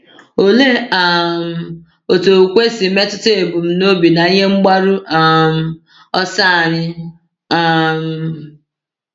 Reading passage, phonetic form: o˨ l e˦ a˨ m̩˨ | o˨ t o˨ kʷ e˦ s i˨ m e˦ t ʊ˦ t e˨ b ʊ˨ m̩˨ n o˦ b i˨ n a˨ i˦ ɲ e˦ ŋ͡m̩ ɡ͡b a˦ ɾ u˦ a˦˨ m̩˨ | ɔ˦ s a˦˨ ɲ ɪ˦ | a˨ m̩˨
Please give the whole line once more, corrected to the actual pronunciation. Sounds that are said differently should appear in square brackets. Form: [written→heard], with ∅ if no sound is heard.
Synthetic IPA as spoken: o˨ l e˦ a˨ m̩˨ | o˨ t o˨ kʷ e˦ s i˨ m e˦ t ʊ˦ t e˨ b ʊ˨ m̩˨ n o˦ b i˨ n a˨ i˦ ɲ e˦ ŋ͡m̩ ɡ͡b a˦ ɾ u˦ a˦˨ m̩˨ | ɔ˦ s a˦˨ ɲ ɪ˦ | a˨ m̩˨

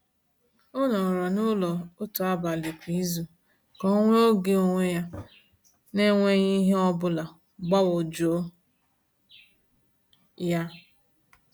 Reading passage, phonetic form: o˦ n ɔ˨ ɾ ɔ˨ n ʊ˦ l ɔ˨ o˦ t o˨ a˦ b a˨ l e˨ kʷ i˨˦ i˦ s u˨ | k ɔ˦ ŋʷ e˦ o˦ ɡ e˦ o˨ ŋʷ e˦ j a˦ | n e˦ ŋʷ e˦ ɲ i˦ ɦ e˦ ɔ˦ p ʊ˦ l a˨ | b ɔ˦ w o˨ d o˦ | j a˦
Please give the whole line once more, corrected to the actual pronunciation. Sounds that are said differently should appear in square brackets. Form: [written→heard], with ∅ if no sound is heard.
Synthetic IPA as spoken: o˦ n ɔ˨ ɾ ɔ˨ n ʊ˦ l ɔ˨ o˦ t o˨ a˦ b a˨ l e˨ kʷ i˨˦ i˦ [s→z] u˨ | k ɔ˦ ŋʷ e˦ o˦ ɡ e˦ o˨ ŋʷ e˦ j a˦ | n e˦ ŋʷ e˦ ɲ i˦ ɦ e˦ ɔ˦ [p→b] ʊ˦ l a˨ | [b→ɡ͡b] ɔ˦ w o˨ [d→d͡ʒ] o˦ | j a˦

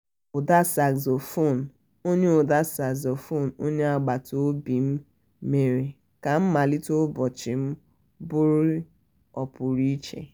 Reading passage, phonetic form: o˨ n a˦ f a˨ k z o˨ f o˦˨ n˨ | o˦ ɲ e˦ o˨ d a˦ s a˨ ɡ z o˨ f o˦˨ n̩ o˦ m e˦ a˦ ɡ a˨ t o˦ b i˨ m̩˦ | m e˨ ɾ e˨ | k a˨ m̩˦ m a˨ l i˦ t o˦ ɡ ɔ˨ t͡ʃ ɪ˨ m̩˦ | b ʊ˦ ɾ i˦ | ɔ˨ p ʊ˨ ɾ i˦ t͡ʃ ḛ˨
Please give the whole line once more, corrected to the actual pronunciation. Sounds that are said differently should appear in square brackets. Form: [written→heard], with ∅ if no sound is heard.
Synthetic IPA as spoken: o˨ [n→d] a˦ [f→s] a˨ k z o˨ f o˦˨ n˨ | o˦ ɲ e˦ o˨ d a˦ s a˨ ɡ z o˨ f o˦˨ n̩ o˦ [m→ɲ] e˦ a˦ [ɡ→ɡ͡b] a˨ t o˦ b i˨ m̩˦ | m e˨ ɾ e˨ | k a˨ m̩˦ m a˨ l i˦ t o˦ [ɡ→b] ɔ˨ t͡ʃ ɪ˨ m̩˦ | b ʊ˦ ɾ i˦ | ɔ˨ p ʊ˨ ɾ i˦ t͡ʃ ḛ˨

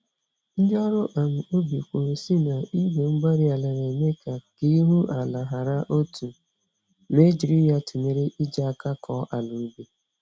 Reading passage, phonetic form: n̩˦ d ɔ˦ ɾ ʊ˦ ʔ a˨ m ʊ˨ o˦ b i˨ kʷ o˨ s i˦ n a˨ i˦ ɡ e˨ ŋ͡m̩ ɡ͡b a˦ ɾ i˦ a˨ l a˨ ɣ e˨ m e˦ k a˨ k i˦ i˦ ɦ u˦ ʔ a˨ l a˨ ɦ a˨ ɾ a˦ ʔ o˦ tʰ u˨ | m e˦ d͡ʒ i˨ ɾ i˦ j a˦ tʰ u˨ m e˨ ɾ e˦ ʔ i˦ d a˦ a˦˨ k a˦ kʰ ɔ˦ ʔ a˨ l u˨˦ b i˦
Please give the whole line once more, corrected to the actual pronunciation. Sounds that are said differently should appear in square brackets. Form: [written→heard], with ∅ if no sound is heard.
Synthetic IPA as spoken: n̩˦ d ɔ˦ ɾ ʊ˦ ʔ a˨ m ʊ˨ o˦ b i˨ kʷ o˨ s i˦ n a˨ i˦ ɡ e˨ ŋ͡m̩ ɡ͡b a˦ ɾ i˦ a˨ l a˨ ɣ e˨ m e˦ k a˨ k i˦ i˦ ɦ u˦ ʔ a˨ l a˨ ɦ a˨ ɾ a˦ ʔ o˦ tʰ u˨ | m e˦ d͡ʒ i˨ ɾ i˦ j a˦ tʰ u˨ m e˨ ɾ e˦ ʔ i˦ [d→d͡ʒ] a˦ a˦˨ k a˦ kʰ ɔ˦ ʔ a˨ l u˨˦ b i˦

